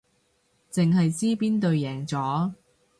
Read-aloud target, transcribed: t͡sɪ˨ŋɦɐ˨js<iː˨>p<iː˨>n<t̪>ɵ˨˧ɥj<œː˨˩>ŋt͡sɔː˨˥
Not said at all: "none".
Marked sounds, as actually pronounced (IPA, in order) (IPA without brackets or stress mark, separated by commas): iː˥, iː˥, t̪, ɛː˨˩